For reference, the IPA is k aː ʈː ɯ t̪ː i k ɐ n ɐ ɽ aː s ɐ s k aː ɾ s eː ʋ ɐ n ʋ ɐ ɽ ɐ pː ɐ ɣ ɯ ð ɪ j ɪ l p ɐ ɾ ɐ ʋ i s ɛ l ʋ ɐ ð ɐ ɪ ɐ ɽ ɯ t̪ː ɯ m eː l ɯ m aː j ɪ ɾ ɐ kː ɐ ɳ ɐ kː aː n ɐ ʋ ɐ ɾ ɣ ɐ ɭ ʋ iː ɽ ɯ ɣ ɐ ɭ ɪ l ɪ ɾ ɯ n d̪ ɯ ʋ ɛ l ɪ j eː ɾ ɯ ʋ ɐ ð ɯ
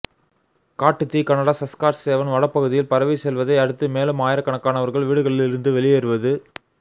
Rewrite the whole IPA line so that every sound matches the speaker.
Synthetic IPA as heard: k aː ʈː ɯ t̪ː i k ɐ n ɐ ɽ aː s ɐ s k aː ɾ s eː ʋ ɐ n ʋ ɐ ɽ ɐ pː ɐ ɣ ɯ ð ɪ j ɪ l p ɐ ɾ ɐ ʋ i s ɛ l ʋ ɐ ð ɐ ɪ ɐ ɽ ɯ t̪ː ɯ m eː l ɯ m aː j ɪ ɾ ɐ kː ɐ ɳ ɐ kː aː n ɐ ʋ ɐ ɾ ɣ ɐ ɭ ʋ iː ɽ ɯ ɣ ɐ ɭ ɪ l ɪ ɾ ɯ n d̪ ɯ ʋ ɛ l ɪ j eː ɾ ɯ ʋ ɐ ð ɯ